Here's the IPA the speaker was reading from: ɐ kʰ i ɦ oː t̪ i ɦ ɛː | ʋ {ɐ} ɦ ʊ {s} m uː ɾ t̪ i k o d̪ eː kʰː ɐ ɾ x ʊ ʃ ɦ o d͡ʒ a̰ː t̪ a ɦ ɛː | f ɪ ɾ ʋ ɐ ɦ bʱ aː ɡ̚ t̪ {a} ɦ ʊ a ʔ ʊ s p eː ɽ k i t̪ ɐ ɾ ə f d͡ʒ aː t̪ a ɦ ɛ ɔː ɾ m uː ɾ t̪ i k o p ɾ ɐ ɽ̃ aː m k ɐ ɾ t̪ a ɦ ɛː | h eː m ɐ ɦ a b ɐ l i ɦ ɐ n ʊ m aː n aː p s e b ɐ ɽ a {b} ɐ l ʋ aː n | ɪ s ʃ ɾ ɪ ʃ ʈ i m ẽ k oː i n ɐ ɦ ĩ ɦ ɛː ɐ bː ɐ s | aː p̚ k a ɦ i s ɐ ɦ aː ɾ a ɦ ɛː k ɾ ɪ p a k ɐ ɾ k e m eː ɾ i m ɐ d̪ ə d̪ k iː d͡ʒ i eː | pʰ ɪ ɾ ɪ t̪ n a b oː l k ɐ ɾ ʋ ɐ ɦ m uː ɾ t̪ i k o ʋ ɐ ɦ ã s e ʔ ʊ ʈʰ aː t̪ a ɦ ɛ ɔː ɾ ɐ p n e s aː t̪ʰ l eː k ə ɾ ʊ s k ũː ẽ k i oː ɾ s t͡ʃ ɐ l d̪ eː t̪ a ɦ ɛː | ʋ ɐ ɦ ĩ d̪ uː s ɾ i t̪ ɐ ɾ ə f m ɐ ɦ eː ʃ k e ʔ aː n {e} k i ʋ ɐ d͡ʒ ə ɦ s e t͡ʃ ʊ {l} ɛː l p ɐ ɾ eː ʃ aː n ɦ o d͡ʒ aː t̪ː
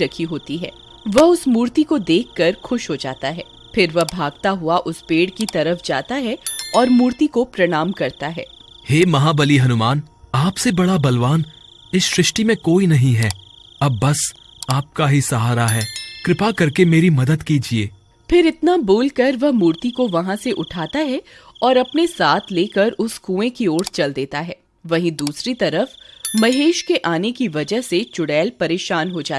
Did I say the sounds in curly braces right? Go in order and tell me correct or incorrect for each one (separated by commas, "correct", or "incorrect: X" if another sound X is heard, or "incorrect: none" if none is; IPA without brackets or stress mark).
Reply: correct, correct, correct, correct, correct, incorrect: ɽ